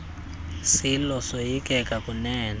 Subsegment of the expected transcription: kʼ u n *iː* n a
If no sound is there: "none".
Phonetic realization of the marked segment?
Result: ɛː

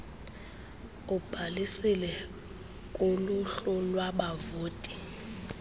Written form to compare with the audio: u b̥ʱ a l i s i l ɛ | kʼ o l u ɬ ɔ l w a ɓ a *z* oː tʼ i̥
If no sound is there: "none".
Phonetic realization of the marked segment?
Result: v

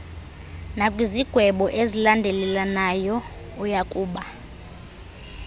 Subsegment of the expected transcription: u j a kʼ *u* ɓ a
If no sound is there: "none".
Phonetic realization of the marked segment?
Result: uː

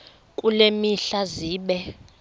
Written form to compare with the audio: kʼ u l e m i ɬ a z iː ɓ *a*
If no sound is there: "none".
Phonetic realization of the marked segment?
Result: ɛ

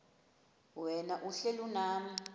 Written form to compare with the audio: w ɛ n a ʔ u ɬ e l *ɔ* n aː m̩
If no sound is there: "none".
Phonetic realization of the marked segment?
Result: u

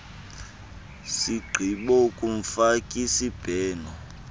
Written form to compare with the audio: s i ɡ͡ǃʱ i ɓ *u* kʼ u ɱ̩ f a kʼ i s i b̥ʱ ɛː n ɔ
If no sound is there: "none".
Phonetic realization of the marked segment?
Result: ɔ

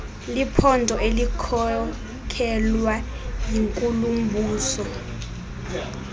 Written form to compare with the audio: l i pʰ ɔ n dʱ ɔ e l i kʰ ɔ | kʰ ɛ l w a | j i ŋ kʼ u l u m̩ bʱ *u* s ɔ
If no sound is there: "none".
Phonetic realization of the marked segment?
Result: uː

